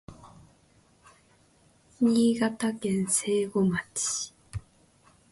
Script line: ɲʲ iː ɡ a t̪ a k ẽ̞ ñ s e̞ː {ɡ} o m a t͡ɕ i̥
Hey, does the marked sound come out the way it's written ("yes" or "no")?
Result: yes